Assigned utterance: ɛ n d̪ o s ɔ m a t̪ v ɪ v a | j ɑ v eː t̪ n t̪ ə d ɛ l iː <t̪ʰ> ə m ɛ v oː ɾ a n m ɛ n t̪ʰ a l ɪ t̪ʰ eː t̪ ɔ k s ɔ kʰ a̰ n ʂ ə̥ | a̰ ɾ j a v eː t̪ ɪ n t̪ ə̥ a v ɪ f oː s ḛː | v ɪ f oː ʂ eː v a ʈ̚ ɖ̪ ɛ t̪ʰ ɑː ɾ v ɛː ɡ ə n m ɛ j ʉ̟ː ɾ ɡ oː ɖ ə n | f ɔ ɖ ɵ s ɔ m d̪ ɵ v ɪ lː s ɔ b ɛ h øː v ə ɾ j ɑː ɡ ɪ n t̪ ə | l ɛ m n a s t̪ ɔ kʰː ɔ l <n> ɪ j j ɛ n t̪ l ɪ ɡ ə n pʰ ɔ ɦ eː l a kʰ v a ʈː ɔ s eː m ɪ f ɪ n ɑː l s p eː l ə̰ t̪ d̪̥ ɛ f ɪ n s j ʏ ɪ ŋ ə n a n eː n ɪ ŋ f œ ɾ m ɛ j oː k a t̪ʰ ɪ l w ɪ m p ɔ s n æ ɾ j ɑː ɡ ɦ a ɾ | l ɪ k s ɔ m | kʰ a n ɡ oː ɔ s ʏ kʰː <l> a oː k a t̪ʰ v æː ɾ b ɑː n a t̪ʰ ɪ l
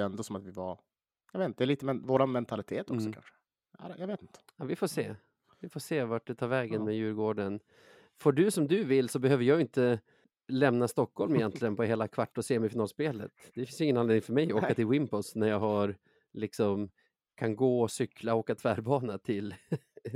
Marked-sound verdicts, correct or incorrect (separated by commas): incorrect, incorrect, correct